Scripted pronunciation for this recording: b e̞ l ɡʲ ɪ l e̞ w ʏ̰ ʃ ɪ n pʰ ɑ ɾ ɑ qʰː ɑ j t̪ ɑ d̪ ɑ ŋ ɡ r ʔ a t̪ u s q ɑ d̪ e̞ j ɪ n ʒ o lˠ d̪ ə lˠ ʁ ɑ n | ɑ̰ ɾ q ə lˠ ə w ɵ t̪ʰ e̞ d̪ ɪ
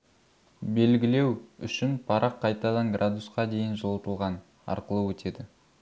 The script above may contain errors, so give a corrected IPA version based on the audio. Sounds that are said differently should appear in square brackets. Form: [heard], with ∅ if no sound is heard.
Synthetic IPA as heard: b e̞ l ɡʲ ɪ l e̞ w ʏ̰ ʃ ɪ n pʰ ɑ ɾ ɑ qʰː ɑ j t̪ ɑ d̪ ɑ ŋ ɡ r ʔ a [d̪] u s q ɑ d̪ e̞ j ɪ n ʒ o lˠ [t̪] ə lˠ ʁ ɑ n | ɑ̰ ɾ q ə lˠ ə w ɵ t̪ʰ e̞ d̪ ɪ